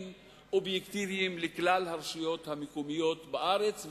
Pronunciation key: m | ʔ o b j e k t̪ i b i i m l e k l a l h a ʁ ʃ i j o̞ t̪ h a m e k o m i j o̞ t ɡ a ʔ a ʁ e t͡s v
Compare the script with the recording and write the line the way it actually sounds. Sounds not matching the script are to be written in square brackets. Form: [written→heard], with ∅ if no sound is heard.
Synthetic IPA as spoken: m | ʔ o b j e k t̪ i [b→v] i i m l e k l a l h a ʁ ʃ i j o̞ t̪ h a m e k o m i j o̞ t [ɡ→b] a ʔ a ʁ e t͡s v

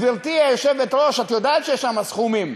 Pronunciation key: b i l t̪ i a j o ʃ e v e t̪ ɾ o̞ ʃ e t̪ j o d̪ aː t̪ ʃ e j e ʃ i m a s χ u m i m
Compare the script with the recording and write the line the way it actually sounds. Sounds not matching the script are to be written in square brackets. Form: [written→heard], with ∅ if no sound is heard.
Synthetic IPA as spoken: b i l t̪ i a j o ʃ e v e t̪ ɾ o̞ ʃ [e→a] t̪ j o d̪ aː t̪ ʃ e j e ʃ [i→a] m a s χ u m i m

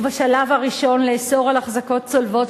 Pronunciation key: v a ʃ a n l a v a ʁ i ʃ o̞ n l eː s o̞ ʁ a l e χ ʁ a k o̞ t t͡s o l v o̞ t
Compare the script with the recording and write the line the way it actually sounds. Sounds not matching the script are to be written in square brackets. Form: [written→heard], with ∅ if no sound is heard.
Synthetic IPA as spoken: v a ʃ a [n→∅] l a v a ʁ i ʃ o̞ n l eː s o̞ ʁ a l [e→a] χ [ʁ→z] a k o̞ t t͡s o l v o̞ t

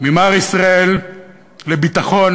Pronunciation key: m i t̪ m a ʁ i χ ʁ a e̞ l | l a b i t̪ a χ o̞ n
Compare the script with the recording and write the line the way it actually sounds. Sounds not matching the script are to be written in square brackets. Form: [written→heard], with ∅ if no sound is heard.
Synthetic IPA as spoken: m i [t̪→∅] m a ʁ i [χ→s] ʁ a e̞ l | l [a→e] b i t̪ a χ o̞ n

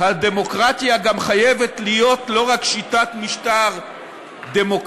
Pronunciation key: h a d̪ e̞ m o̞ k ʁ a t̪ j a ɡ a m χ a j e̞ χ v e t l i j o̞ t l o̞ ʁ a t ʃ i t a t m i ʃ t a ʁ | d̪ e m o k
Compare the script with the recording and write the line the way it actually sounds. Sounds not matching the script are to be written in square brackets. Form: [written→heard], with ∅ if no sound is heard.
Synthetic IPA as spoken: h a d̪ e̞ m o̞ k ʁ a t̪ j a ɡ a m χ a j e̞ [χ→∅] v e t l i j o̞ t l o̞ ʁ a [t→k] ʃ i t a t m i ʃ t a ʁ | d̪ e m o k

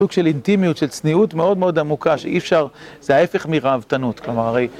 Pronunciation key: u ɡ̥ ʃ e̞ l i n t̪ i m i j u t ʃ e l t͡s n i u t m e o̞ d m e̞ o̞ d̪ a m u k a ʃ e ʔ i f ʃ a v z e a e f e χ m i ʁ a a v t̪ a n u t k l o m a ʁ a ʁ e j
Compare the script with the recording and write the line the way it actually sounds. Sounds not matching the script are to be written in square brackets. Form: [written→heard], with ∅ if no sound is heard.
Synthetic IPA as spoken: u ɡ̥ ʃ e̞ l i n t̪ i m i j u t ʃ e l t͡s n i u t m e o̞ d m e̞ o̞ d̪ a m u k a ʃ e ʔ i f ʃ a [v→ʁ] z e a e f e χ m i ʁ a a v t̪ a n u t k l o m a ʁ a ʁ e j

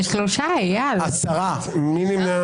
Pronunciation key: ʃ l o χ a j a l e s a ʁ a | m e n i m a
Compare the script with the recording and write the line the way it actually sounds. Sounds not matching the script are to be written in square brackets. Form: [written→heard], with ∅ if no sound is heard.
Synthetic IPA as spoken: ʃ l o [χ→ʃ] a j a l [e→a] s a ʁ a | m [e→i] n i m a

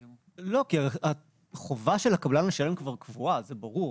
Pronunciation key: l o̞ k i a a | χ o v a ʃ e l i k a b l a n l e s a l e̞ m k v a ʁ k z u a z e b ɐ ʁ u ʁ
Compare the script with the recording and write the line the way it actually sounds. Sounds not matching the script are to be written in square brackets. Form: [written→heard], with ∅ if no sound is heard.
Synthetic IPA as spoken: l o̞ k i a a | χ o v a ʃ e l [i→a] k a b l a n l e [s→ʃ] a l e̞ m k v a ʁ k [z→v] u a z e b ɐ ʁ u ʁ

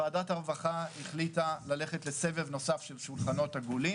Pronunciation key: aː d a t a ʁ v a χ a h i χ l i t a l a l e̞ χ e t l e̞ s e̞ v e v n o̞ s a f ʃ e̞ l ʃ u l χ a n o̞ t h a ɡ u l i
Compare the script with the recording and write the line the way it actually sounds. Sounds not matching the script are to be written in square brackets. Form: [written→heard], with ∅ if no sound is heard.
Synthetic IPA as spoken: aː d a t a ʁ v a χ a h i χ l i t a l a l e̞ χ e t l e̞ s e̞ v e v n o̞ s a f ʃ e̞ l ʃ u l χ a n o̞ t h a ɡ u l i

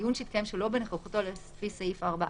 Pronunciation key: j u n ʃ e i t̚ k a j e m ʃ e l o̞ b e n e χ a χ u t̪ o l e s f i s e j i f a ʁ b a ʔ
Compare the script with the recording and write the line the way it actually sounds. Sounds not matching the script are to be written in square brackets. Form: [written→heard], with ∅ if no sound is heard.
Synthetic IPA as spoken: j u n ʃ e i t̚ k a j e m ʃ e l o̞ b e n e χ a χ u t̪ o l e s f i s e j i f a ʁ b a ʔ

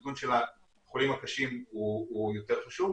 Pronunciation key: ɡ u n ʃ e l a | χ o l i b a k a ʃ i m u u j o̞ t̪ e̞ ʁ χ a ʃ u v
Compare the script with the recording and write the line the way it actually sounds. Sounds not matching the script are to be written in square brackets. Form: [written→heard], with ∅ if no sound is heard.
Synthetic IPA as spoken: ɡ u n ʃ e l a | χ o l i [b→m] a k a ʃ i m u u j o̞ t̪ e̞ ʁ χ a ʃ u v

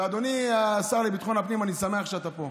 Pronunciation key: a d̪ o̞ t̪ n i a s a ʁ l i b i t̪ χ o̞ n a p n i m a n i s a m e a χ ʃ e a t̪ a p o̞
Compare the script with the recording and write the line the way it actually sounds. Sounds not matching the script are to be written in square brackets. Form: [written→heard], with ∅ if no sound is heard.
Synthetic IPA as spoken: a d̪ o̞ [t̪→∅] n i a s a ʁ l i b i t̪ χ o̞ n a p n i m a n i s a m e a χ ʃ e a t̪ a p o̞

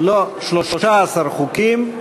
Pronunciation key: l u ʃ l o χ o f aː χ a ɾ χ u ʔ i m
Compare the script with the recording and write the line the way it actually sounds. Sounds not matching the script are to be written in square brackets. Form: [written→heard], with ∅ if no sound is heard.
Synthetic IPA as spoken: l [u→o] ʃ l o [χ→ʃ] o [f→ʃ] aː [χ→s] a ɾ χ u [ʔ→k] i m

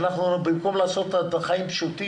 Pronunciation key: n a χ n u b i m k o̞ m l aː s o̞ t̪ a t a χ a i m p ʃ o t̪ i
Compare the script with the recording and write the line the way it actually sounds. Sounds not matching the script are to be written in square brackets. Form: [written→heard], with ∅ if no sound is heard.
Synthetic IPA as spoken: n a χ n u b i m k o̞ m l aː s o̞ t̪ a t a χ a i m p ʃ [o→u] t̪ i

